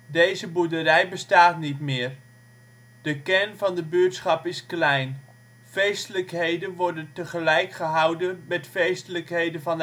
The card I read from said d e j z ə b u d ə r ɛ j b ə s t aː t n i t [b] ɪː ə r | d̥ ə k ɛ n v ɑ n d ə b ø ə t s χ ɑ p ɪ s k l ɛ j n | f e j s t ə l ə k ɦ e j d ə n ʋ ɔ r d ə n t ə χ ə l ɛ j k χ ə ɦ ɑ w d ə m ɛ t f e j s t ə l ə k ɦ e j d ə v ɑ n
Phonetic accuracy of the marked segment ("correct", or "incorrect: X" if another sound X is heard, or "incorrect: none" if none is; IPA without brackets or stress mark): incorrect: m